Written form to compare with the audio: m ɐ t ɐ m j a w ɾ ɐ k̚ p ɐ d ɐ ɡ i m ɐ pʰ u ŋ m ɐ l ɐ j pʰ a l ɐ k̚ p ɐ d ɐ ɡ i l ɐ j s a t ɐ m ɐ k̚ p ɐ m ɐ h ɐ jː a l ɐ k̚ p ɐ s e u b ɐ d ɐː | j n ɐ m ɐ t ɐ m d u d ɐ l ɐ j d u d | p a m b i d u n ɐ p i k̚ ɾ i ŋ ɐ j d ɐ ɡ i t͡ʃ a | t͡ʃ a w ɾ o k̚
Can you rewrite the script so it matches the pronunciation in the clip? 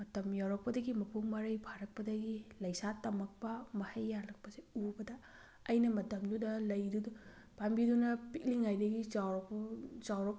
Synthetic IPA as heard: m ɐ t ɐ m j a w ɾ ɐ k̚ p ɐ d ɐ ɡ i m ɐ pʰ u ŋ m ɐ ɾ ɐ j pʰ a ɾ ɐ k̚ p ɐ d ɐ ɡ i l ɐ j s a t ɐ m ɐ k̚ p ɐ m ɐ h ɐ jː a l ɐ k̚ p ɐ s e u b ɐ d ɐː | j n ɐ m ɐ t ɐ m d u d ɐ l ɐ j d u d | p a m b i d u n ɐ p i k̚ l i ŋ a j d ɐ ɡ i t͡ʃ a | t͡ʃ a w ɾ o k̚